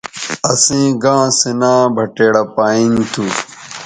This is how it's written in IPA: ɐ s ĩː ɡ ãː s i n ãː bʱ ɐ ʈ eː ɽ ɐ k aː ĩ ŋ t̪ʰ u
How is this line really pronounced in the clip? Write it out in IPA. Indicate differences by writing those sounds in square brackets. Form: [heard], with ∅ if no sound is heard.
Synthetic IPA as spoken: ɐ s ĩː ɡ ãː s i n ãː bʱ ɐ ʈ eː ɽ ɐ [p] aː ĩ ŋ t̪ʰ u